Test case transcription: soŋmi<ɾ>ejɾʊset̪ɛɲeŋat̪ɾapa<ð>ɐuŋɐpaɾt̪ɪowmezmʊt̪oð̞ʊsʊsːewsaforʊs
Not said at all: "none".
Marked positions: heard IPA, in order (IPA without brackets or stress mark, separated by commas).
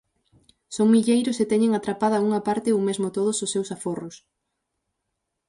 ʎ, ð